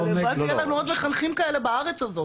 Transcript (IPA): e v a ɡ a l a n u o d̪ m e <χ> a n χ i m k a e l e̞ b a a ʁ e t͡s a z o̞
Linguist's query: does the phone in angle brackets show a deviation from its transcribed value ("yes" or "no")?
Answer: no